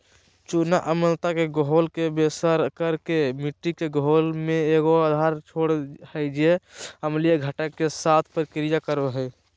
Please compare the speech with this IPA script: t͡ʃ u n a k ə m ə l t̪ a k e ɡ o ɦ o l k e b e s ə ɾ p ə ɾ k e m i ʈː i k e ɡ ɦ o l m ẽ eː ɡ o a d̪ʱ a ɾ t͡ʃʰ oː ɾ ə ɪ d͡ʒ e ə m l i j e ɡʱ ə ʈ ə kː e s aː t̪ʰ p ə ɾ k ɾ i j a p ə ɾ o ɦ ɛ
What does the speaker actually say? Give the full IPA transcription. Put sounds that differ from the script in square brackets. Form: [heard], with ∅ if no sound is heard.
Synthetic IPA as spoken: t͡ʃ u n a [ʔ] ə m ə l t̪ a k e ɡ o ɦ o l k e b e s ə ɾ [k] ə ɾ k e m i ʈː i k e ɡ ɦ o l m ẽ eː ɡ o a d̪ʱ a ɾ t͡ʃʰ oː [ɽ] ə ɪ d͡ʒ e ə m l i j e ɡʱ ə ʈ ə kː e s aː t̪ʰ p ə ɾ k ɾ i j a [k] ə ɾ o ɦ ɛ